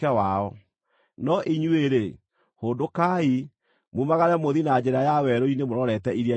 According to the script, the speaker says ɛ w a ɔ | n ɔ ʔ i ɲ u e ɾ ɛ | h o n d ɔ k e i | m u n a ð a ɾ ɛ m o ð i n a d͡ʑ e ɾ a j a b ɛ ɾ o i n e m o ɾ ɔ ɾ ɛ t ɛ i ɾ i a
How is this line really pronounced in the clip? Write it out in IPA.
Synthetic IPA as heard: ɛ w a ɔ | n ɔ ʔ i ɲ u e ɾ e | h o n d o k a i | m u m a ɣ a ɾ ɛ m o ð i n a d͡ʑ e ɾ a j a w ɛ ɾ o i n e m o ɾ ɔ ɾ ɛ t ɛ i ɾ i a